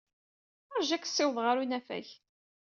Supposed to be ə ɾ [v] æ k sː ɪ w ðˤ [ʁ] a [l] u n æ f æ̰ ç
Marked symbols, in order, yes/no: no, yes, no

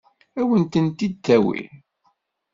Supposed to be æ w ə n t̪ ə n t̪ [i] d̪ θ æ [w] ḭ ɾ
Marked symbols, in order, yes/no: yes, yes

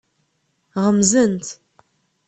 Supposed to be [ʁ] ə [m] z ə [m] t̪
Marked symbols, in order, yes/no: yes, yes, no

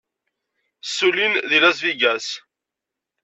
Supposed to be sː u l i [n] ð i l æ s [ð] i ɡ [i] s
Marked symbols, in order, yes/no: yes, no, no

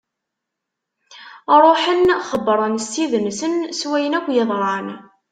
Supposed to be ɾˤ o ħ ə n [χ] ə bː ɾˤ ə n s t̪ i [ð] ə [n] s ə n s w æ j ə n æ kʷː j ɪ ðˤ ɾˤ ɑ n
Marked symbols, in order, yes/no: yes, yes, yes

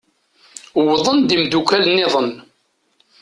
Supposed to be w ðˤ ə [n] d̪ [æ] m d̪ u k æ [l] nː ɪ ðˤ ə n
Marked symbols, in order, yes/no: yes, no, yes

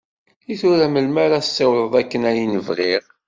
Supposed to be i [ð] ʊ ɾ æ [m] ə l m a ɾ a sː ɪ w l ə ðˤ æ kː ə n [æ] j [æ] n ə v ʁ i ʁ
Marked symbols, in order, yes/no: no, yes, yes, no

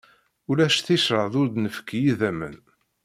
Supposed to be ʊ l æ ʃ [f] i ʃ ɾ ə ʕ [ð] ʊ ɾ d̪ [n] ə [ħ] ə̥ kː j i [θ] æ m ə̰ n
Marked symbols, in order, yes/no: no, yes, yes, no, no

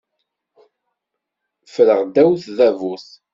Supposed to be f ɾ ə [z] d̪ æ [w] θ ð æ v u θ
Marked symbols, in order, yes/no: no, yes

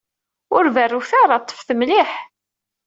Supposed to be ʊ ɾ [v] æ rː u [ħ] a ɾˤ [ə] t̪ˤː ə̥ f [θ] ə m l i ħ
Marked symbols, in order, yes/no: yes, no, no, yes

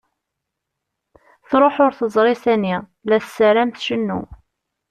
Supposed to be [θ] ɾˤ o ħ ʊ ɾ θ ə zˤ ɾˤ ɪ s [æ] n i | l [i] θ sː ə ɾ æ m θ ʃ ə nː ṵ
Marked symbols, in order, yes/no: yes, yes, no

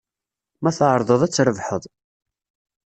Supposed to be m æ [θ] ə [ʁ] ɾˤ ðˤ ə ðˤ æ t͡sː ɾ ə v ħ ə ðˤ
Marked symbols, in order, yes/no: yes, no

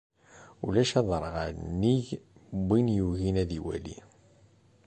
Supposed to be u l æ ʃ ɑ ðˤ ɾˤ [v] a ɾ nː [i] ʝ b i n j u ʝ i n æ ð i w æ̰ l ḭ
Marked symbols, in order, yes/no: no, yes

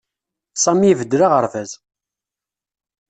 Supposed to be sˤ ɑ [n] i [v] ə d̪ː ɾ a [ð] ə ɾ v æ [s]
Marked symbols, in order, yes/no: no, yes, no, no

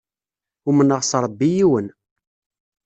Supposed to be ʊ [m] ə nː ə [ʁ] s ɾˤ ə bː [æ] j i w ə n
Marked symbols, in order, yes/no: yes, yes, no

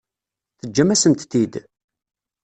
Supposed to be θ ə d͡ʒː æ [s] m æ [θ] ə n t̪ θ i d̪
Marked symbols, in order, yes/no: no, no

